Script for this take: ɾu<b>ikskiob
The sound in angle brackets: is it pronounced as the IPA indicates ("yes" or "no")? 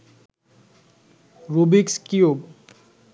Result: yes